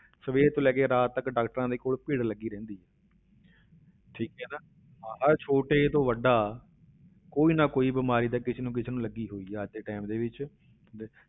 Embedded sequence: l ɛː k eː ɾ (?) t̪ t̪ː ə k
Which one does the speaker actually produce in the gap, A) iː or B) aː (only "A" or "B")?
B